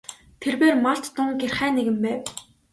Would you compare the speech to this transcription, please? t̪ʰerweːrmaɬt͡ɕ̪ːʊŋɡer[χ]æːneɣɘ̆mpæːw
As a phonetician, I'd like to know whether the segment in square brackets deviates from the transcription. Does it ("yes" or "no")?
no